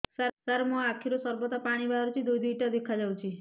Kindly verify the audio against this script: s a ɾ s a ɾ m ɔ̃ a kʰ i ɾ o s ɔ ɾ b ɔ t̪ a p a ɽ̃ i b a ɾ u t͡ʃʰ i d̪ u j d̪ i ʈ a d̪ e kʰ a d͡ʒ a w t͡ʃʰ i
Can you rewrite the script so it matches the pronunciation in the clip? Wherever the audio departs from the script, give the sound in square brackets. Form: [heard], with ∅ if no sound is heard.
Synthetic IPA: s a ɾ s a ɾ m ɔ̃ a kʰ i ɾ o s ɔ ɾ b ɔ t̪ a p a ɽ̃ i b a ɾ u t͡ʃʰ i d̪ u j d̪ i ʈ a d̪ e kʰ a d͡ʒ a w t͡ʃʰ i

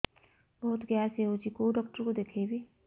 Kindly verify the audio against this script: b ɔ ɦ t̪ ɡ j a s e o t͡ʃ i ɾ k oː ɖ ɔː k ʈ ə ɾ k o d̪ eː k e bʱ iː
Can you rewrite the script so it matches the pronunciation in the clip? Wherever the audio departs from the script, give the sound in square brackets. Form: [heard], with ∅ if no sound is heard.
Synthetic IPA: b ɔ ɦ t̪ ɡ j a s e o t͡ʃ i [∅] k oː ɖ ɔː k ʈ ə ɾ k o d̪ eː [kʰ] e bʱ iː

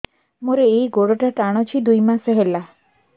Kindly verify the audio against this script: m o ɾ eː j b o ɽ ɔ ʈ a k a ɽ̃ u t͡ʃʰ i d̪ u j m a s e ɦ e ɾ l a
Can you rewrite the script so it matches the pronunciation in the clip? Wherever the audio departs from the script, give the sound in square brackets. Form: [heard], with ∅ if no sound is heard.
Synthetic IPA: m o ɾ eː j [ɡ] o ɽ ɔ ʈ a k a ɽ̃ [ɔ] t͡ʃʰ i d̪ u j m a s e ɦ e [∅] l a

